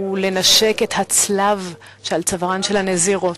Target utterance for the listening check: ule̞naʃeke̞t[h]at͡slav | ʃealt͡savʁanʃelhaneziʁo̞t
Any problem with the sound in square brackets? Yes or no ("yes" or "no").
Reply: no